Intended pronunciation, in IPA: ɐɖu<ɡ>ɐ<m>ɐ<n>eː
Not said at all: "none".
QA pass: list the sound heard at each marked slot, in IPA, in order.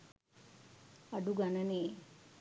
ɡ, n, n

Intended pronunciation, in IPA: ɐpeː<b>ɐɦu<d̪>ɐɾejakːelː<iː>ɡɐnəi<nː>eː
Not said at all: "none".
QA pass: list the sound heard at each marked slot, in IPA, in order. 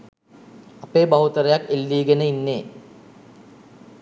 b, t̪, iː, nː

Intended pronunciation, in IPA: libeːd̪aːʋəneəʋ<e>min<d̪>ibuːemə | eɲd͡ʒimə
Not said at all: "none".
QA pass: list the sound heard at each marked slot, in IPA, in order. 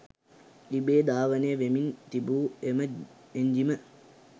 e, t̪

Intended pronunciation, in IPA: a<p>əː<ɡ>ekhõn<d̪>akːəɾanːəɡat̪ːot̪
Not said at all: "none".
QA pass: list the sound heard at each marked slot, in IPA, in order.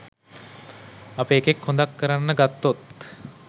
p, k, d̪

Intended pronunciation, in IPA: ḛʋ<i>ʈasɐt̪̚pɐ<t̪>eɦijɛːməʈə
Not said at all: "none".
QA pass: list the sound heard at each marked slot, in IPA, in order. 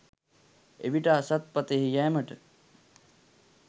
i, t̪

